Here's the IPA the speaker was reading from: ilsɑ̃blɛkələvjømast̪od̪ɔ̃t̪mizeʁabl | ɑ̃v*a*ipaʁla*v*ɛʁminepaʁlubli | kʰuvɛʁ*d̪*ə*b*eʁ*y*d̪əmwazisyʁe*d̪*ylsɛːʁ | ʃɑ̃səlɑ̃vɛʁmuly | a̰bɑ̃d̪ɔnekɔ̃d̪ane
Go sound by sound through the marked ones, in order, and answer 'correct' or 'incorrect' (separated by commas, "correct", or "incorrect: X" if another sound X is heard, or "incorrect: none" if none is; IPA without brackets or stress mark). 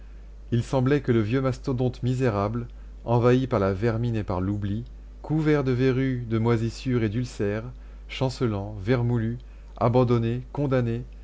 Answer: correct, correct, correct, incorrect: v, correct, correct